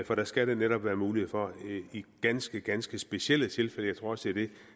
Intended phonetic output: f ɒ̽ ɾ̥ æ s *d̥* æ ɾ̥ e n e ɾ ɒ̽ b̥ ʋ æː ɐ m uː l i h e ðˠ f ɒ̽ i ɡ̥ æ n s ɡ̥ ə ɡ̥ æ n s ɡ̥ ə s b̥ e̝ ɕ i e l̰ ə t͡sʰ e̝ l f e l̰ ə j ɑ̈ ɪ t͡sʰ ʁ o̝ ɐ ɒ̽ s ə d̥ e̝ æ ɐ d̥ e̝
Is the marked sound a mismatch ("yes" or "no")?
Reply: yes